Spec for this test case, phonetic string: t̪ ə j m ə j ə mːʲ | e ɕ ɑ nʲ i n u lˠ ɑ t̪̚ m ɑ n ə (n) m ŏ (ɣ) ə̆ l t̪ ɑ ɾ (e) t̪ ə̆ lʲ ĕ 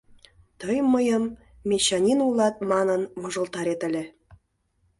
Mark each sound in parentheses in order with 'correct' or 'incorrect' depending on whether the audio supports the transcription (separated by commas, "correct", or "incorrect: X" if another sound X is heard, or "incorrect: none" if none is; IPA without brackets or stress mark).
correct, incorrect: ʒ, correct